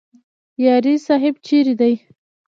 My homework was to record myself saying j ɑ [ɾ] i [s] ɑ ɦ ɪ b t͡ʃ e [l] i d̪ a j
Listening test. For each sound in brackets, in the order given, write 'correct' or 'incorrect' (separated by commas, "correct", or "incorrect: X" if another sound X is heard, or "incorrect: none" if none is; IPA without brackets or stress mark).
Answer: correct, correct, incorrect: ɾ